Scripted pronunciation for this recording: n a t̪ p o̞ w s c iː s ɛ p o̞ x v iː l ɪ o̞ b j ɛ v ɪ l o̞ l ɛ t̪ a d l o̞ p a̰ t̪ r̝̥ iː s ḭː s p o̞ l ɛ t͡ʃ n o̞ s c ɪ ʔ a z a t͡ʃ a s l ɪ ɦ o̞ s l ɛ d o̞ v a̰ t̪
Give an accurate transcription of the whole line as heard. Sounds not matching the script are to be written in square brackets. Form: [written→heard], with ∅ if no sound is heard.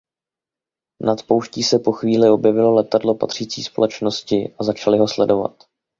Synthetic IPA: n a t̪ p o̞ w [s→ʃ] c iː s ɛ p o̞ x v iː l ɪ o̞ b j ɛ v ɪ l o̞ l ɛ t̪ a d l o̞ p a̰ t̪ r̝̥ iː [s→t͡s] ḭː s p o̞ l ɛ t͡ʃ n o̞ s c ɪ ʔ a z a t͡ʃ a [s→∅] l ɪ ɦ o̞ s l ɛ d o̞ v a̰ t̪